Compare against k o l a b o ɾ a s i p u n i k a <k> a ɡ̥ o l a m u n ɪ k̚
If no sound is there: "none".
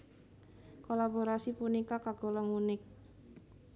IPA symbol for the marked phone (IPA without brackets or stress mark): k